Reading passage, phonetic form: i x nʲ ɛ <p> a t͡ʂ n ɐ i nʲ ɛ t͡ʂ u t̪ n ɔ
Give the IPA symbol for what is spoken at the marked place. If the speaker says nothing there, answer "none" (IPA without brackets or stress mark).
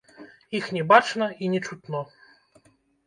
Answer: b